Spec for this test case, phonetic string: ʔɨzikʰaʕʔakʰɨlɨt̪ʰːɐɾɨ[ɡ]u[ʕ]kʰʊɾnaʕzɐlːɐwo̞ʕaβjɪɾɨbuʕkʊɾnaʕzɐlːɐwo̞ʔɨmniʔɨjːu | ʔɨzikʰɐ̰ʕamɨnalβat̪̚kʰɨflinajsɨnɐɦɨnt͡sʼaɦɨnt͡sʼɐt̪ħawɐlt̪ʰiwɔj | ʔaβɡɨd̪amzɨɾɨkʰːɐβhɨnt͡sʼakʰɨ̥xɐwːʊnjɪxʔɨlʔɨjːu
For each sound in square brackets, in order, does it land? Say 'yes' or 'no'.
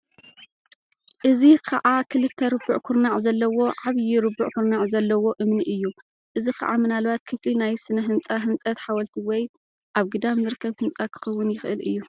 no, yes

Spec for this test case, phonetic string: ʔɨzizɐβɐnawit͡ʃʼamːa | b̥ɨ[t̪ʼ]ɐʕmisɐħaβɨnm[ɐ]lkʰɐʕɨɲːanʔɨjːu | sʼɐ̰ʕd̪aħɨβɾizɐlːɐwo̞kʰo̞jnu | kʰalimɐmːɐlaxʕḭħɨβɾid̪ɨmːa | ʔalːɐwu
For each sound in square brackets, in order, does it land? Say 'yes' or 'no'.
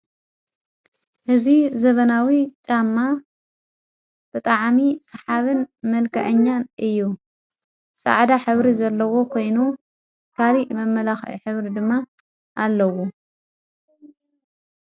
yes, yes

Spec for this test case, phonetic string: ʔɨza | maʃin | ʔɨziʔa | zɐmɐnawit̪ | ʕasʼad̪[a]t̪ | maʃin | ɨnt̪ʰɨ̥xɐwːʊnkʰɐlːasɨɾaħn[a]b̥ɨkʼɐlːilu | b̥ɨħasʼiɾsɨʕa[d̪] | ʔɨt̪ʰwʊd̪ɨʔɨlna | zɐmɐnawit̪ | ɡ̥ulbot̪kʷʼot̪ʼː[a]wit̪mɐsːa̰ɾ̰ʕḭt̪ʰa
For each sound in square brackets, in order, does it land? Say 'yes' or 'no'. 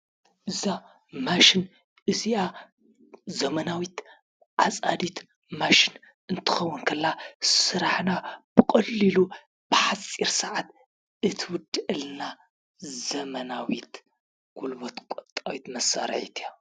no, yes, no, yes

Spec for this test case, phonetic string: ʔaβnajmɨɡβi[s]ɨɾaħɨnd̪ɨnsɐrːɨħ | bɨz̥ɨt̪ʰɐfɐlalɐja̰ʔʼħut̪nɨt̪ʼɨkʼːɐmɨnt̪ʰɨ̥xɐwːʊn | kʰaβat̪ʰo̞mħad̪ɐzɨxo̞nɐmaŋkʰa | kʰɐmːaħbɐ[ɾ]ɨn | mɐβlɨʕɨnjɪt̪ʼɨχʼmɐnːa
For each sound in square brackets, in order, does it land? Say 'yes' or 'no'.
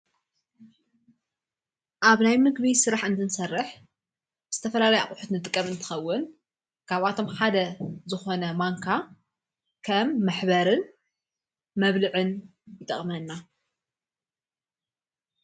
yes, yes

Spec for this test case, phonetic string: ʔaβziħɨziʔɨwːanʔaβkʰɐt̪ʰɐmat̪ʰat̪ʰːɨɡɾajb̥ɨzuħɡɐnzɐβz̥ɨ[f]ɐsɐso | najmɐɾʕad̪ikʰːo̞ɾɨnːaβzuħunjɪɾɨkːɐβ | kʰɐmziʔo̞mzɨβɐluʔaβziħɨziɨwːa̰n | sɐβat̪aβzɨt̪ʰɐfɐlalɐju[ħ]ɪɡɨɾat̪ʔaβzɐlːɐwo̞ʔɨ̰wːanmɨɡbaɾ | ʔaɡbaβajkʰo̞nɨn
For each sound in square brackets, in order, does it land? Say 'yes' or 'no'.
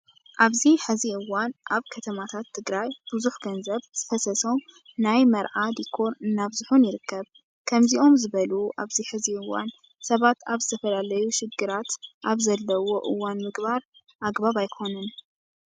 yes, no

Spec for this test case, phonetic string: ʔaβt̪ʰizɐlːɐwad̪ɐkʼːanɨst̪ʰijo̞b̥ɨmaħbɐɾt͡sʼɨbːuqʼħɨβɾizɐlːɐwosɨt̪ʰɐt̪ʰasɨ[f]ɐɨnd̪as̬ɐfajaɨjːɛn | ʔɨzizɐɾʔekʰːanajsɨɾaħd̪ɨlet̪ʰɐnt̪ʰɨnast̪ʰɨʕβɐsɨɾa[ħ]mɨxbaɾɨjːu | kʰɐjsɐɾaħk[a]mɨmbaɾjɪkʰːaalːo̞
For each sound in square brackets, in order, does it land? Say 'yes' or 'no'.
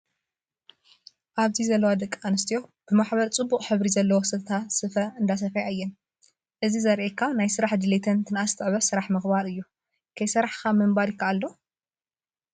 yes, yes, yes

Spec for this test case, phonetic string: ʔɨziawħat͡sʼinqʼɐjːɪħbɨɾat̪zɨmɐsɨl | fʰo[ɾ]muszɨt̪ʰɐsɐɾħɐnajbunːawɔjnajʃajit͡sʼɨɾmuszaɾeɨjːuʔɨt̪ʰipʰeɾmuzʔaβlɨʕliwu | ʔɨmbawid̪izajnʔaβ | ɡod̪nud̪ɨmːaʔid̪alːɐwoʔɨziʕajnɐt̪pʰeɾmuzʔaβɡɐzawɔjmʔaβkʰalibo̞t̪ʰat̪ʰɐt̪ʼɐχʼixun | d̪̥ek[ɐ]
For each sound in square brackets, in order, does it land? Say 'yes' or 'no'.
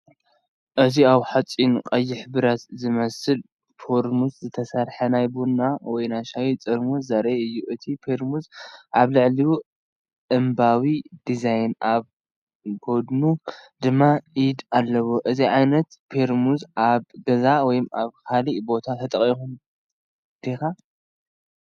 yes, no

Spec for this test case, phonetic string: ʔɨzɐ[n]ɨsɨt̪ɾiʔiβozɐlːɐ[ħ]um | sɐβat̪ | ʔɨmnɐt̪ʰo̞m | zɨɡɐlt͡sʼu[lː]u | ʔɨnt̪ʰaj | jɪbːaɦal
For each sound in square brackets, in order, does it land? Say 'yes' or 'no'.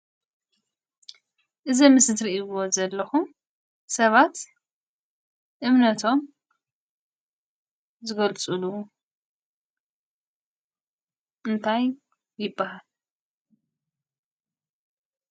no, no, no

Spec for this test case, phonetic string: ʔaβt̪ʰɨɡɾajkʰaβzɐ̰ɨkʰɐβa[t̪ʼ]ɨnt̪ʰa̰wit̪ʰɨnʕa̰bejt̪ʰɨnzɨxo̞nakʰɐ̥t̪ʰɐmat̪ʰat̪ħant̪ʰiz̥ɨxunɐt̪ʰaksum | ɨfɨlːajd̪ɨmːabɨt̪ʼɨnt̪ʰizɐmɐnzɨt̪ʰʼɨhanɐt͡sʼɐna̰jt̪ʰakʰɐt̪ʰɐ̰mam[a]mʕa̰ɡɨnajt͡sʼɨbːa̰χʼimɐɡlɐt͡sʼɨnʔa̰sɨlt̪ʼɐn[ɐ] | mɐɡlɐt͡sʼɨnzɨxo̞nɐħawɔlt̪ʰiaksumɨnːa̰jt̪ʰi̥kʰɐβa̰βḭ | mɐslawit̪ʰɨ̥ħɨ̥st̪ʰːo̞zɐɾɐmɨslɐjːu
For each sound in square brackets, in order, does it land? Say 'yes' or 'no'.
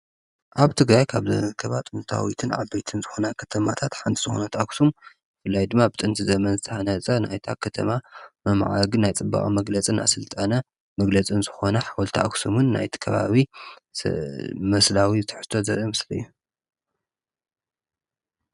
yes, no, yes

